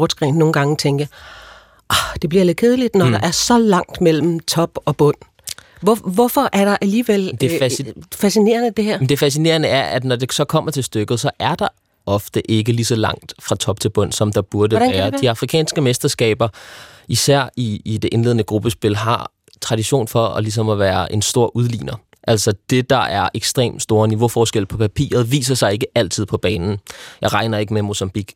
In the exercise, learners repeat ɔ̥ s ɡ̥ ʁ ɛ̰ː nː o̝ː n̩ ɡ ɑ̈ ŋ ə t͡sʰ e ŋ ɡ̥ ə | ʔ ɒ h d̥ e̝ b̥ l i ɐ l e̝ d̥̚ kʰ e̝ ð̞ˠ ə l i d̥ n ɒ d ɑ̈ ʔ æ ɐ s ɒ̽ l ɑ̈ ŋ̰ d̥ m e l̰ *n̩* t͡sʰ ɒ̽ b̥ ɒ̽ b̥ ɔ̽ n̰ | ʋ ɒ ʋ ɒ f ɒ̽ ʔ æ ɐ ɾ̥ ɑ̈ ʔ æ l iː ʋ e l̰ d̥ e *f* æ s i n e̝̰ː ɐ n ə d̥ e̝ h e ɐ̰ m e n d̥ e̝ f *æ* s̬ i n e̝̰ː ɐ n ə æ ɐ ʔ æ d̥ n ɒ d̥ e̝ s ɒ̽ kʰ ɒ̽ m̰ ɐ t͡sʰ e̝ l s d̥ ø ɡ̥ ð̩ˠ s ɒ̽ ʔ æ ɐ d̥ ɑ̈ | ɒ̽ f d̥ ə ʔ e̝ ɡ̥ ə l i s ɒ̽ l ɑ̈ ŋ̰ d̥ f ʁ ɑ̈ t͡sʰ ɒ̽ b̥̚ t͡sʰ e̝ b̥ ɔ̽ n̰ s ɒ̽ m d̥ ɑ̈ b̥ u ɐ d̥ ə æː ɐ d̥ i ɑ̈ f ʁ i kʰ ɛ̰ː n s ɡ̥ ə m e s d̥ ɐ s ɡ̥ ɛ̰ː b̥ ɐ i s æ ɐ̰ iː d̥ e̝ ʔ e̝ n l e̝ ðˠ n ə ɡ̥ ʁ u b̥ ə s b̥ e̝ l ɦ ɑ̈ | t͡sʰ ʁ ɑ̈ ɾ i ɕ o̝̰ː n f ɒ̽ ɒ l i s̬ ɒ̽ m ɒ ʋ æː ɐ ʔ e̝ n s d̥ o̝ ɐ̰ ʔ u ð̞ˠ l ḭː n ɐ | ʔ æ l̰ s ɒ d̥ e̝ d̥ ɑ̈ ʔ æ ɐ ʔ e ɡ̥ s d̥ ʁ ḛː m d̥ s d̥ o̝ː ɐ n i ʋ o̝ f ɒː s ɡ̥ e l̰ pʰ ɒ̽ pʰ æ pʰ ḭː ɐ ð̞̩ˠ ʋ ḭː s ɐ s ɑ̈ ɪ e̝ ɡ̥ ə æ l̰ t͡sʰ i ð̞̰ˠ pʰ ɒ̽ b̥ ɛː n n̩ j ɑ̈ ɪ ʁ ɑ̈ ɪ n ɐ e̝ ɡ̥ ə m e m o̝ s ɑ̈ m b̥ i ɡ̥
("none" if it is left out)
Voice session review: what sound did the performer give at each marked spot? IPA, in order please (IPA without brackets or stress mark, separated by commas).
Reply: m̩, f, æ